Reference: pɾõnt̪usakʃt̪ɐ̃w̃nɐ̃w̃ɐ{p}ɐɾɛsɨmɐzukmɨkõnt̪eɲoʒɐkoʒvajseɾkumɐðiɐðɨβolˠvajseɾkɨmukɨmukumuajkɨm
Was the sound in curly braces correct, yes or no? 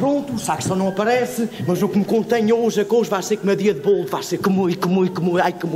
yes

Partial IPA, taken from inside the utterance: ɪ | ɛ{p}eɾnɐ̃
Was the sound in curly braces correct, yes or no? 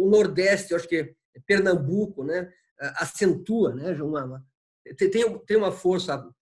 yes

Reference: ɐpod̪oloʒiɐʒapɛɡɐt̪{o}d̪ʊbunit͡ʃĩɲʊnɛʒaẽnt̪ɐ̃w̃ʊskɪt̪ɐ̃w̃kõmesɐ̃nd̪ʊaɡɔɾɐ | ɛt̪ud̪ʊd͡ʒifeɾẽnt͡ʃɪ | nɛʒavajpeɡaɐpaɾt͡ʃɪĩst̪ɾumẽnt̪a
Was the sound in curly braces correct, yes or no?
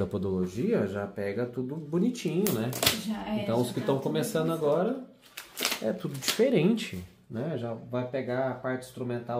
no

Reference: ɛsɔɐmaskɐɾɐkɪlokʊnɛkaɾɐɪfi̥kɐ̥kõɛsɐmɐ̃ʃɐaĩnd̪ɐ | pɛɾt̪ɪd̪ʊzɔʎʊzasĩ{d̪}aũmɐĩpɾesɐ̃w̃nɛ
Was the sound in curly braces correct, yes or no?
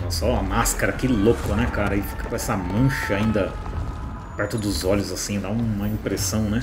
yes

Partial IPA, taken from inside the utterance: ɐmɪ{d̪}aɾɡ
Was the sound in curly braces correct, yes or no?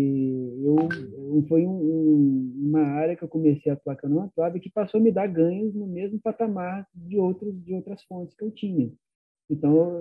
yes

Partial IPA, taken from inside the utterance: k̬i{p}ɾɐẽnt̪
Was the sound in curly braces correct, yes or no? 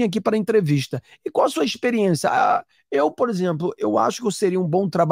yes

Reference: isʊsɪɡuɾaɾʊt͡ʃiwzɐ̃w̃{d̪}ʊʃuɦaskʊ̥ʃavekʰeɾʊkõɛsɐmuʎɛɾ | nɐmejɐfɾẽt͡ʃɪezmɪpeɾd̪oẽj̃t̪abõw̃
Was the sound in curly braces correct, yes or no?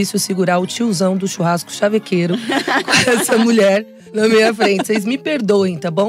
yes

